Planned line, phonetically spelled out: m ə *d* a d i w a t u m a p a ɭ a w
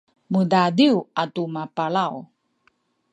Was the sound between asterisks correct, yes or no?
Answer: yes